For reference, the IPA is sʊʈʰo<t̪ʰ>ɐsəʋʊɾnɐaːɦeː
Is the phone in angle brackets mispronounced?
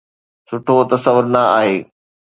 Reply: yes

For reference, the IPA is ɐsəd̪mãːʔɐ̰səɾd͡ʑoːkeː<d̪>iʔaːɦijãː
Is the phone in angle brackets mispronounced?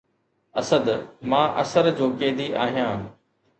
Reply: no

